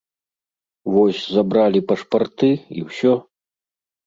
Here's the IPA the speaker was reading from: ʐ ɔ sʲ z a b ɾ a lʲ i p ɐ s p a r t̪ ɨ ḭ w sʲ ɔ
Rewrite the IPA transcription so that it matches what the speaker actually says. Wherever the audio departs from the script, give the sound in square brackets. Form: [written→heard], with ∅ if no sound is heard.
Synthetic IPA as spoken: [ʐ→v] ɔ sʲ z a b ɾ a lʲ i p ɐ [s→ʂ] p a r t̪ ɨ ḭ w sʲ ɔ